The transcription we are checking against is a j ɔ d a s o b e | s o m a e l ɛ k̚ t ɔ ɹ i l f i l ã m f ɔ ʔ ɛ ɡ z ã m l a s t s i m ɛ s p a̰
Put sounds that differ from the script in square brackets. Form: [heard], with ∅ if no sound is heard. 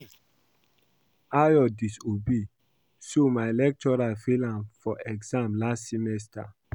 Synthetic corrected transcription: a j ɔ d [i] s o b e | s o m a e l ɛ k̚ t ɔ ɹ [a] l f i l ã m f ɔ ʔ ɛ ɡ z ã m l a s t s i m ɛ s [t] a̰